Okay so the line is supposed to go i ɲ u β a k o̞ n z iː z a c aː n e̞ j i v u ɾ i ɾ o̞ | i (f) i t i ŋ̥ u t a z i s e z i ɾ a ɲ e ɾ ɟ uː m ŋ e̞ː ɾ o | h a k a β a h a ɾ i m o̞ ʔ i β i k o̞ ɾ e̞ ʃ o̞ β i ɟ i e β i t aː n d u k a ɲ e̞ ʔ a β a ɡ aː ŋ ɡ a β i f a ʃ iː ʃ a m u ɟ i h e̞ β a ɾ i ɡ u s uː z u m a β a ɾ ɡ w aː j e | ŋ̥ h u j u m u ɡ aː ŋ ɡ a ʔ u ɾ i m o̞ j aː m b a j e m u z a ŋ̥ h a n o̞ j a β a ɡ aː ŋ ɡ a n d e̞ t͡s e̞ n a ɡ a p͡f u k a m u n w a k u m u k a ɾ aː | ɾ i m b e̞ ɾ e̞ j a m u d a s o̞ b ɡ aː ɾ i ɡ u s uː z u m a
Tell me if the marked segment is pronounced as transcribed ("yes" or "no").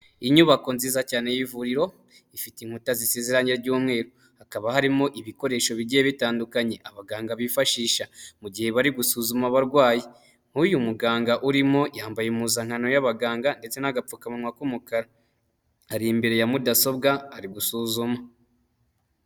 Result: yes